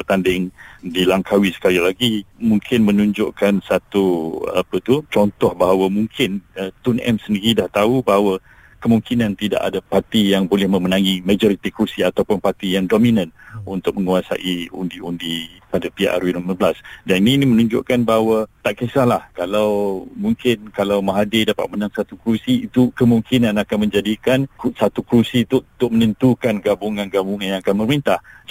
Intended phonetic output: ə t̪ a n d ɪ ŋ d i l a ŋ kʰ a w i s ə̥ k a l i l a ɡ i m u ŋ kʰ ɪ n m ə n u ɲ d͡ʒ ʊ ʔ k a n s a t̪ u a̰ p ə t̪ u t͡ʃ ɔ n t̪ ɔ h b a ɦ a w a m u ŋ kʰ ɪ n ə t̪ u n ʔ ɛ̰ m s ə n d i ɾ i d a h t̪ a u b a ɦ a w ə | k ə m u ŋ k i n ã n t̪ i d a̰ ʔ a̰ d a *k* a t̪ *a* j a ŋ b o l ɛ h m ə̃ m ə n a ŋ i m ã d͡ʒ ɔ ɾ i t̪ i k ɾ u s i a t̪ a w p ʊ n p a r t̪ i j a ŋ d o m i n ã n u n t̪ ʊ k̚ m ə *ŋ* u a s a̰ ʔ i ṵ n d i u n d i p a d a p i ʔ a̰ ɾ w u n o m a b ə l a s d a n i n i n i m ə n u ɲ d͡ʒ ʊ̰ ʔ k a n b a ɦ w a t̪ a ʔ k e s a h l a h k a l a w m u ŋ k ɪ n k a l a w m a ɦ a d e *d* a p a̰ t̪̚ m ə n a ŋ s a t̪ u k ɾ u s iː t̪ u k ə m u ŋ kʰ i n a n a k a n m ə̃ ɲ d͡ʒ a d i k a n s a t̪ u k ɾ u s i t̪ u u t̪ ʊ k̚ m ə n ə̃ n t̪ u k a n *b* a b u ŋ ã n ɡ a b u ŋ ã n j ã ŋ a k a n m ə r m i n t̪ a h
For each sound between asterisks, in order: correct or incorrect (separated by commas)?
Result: incorrect, incorrect, correct, correct, incorrect